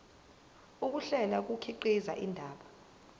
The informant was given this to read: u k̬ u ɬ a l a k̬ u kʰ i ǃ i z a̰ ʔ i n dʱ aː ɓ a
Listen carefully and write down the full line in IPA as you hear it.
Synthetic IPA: u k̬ u ɬ ɛ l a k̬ u kʰ i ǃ i z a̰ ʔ i n dʱ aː ɓ a